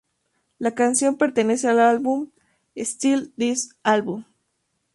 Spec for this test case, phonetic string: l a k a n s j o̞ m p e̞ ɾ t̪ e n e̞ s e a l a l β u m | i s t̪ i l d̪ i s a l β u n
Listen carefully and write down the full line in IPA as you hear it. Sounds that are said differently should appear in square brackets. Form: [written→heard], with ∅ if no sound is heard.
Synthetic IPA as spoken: l a k a n s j o̞ m p e̞ ɾ t̪ e n e̞ s e a l a l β u m | [i→e] s t̪ i l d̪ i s a l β u [n→m]